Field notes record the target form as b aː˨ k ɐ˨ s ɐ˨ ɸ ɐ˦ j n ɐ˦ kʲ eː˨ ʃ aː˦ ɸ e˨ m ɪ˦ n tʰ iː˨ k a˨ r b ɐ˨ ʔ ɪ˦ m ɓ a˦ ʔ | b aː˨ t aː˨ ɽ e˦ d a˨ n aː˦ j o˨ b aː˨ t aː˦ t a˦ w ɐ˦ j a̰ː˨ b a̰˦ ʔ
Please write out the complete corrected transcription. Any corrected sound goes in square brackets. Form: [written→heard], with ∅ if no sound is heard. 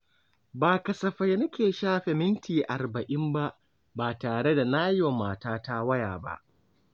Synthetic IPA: b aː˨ k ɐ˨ s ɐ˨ ɸ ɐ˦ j n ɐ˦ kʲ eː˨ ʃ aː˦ ɸ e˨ m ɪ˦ n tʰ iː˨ [k→ʔ] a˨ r b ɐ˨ ʔ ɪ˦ m [ɓ→b] a˦ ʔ | b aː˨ t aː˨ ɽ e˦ d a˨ n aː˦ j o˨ [b→m] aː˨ t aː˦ t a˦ w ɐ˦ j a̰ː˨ b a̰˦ ʔ